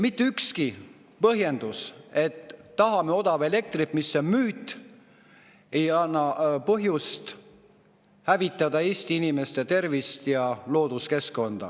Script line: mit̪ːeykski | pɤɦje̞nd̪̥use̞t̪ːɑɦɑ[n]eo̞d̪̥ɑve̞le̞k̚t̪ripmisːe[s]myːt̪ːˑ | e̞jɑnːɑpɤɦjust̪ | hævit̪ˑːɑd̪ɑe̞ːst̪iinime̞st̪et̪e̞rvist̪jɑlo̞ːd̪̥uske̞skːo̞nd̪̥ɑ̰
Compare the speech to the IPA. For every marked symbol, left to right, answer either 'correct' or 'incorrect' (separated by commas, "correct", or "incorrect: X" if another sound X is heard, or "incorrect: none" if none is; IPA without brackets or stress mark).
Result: incorrect: m, incorrect: none